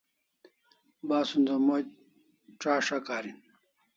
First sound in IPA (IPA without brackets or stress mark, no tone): b